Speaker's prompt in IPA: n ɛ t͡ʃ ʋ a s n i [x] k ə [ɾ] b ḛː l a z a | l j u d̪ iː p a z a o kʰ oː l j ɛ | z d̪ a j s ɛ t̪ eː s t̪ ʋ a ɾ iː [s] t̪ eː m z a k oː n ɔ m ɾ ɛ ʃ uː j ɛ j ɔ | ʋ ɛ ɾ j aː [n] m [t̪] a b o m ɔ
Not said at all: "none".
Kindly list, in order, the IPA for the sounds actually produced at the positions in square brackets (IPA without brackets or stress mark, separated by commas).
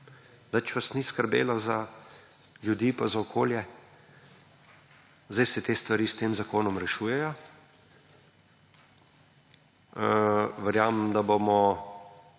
s, ɾ, s, m, d̪